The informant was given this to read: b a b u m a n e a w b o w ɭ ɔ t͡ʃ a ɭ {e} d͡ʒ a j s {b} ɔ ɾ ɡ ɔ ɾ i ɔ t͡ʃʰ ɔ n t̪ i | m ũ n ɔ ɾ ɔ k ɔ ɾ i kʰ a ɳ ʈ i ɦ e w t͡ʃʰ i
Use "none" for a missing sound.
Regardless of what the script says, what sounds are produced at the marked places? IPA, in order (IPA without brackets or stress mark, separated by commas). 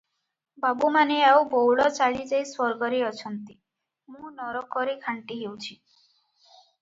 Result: i, w